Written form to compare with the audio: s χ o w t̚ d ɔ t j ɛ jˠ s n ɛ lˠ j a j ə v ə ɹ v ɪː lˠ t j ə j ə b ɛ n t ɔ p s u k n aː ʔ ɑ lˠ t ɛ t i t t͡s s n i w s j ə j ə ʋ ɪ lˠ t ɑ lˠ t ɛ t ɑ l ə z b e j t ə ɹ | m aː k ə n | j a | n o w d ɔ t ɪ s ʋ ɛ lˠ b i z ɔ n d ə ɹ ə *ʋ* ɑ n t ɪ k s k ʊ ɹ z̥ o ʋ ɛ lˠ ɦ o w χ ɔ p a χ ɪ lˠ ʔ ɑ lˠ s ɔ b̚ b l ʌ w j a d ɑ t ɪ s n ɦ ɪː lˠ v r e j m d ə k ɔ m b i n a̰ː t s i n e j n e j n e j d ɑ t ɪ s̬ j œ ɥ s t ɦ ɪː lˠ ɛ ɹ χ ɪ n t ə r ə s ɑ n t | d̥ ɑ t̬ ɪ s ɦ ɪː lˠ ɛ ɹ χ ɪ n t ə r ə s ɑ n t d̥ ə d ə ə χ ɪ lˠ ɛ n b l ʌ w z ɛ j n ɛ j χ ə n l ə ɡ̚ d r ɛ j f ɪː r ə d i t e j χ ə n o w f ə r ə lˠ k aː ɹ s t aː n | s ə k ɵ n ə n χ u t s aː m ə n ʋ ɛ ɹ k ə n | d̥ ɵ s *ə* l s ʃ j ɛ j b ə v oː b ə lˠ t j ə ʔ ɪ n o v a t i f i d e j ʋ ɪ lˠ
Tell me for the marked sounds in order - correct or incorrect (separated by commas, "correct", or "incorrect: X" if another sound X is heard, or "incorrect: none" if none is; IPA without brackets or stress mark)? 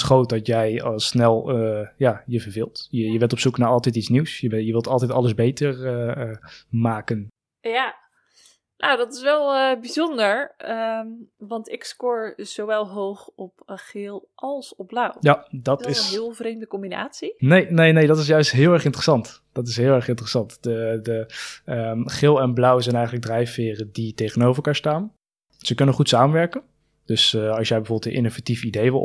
correct, incorrect: ɑ